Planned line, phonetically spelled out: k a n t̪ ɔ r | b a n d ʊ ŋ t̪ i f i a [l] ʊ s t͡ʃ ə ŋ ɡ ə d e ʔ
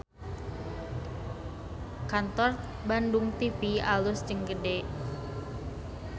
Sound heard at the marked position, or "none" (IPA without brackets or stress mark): l